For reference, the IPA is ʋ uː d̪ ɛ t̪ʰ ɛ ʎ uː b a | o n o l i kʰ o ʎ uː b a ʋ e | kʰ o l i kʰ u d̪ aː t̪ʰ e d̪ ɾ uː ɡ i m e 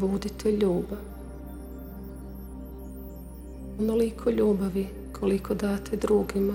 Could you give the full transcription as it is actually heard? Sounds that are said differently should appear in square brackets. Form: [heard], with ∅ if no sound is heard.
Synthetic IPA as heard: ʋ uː d̪ [i] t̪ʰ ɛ ʎ uː b a | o n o l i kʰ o ʎ uː b a ʋ [i] | kʰ o l i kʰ [o] d̪ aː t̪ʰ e d̪ ɾ uː ɡ i m [a]